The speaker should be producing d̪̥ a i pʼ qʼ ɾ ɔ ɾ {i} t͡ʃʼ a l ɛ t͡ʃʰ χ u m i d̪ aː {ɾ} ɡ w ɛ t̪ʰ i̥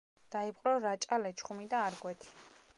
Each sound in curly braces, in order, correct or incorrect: incorrect, correct

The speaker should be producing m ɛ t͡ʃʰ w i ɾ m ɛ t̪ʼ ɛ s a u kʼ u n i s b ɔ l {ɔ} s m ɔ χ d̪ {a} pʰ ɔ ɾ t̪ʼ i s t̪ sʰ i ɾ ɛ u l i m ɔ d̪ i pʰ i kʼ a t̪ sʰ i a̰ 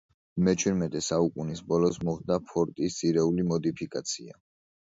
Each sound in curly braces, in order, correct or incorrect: correct, correct

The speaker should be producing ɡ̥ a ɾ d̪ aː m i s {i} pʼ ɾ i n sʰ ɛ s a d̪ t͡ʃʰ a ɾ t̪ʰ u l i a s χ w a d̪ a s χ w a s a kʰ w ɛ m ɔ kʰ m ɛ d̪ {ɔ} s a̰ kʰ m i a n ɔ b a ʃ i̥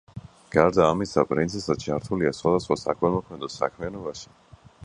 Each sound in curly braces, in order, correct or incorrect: incorrect, correct

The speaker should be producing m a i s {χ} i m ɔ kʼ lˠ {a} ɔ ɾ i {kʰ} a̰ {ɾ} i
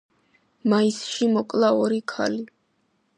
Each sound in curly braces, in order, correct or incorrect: incorrect, correct, correct, incorrect

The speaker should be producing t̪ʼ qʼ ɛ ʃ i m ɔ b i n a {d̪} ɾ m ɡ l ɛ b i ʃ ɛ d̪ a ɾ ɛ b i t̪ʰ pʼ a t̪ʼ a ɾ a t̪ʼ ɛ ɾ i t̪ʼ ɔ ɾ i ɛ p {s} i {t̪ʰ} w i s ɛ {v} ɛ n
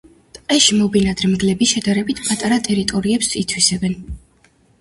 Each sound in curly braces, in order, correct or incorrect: correct, correct, correct, incorrect

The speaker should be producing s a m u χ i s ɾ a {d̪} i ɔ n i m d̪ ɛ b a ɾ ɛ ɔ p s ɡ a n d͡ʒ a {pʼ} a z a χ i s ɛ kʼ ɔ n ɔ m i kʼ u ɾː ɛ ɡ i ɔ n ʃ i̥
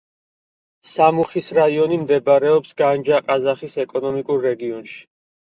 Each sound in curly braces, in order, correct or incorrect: incorrect, incorrect

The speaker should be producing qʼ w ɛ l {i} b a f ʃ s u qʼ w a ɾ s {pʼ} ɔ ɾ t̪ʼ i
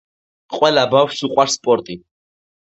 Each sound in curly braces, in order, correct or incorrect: incorrect, correct

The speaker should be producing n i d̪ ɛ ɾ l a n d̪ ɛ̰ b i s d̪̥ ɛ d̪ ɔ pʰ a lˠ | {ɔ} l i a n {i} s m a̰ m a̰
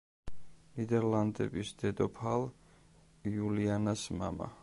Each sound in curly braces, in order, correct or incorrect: incorrect, incorrect

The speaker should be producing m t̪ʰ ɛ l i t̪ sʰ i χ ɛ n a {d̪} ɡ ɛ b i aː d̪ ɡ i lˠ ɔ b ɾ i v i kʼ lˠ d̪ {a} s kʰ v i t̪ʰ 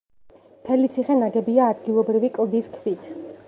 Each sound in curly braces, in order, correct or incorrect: incorrect, incorrect

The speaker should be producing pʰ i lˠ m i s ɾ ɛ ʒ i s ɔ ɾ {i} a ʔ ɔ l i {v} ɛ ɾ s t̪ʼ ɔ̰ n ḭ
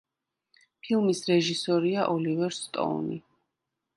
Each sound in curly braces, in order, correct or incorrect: correct, correct

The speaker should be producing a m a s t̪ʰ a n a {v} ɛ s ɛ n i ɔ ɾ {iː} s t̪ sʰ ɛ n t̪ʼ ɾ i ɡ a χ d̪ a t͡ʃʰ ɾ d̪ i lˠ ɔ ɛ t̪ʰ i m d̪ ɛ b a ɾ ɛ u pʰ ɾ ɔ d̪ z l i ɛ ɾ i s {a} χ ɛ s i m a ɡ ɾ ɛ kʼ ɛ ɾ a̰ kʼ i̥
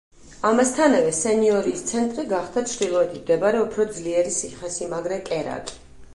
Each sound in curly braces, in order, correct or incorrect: correct, correct, incorrect

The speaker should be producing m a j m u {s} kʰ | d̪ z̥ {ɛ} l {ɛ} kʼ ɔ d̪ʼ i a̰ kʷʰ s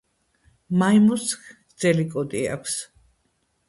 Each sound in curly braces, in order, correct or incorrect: correct, correct, incorrect

